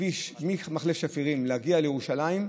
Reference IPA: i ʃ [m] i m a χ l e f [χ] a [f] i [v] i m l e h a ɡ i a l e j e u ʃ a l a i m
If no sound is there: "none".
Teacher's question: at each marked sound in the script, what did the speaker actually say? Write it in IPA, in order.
m, ʃ, f, ʁ

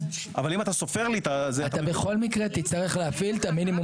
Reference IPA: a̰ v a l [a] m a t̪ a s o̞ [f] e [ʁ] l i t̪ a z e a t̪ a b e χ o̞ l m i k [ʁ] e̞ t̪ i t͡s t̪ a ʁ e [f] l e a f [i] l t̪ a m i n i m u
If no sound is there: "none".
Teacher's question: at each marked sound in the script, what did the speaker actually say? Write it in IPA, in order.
i, f, ʁ, ʁ, χ, i

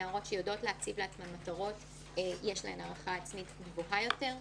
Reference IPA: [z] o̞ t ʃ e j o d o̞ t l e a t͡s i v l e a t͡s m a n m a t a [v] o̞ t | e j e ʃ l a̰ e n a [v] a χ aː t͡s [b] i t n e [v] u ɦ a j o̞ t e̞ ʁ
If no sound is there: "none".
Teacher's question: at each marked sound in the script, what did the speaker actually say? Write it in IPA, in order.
ʁ, ʁ, ʁ, m, v

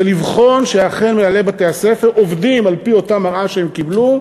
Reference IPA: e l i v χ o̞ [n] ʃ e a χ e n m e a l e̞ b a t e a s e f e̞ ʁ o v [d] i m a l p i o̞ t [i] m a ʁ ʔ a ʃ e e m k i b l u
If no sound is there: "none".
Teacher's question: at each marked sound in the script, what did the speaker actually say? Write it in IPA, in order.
n, d, a

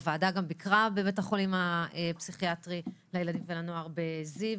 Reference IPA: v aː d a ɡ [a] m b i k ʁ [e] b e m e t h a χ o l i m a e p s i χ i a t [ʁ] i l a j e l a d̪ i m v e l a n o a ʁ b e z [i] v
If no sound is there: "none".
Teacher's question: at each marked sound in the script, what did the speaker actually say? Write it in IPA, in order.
a, a, ʁ, i

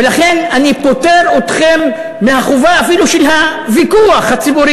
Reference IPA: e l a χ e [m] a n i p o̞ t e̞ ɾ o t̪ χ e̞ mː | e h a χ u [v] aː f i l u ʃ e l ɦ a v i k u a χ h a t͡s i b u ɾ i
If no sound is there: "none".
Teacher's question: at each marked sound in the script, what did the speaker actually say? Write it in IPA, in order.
n, v

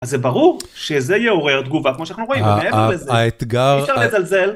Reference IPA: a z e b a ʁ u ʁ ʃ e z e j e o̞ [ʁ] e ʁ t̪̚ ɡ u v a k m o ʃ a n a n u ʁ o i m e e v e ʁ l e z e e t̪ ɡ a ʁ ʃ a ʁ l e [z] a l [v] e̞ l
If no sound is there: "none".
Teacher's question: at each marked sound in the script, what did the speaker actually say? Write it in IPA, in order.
ʁ, z, z

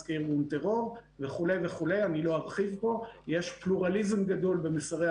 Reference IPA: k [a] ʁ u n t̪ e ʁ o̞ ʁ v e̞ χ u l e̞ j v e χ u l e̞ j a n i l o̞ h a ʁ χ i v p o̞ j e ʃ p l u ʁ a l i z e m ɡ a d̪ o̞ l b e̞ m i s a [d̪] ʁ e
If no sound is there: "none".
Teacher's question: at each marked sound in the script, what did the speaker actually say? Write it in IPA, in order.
i, none

